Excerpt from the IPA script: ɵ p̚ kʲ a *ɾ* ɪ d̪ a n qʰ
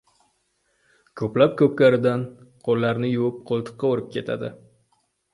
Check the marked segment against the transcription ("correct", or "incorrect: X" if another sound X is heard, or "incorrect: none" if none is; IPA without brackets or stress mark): correct